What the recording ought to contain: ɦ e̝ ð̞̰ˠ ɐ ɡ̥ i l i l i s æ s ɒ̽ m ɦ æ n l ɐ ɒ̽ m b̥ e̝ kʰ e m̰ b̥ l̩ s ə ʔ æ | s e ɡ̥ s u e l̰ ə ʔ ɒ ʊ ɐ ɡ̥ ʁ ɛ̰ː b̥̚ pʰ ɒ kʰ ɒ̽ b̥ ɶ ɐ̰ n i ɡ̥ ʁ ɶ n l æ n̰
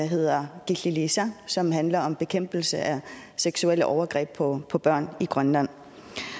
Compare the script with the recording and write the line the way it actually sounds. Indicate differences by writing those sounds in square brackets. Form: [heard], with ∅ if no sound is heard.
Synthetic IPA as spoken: ɦ e̝ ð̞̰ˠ ɐ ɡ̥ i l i l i s æ s ɒ̽ m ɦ æ n l ɐ ɒ̽ m b̥ e̝ kʰ e m̰ b̥ l̩ s ə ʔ æ | s e ɡ̥ s u e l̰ ə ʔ ɒ ʊ ɐ ɡ̥ ʁ ɛ̰ː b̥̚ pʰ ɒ [pʰ] ɒ̽ b̥ ɶ ɐ̰ n i ɡ̥ ʁ ɶ n l æ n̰